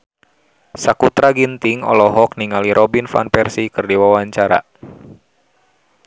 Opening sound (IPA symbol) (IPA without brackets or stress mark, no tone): s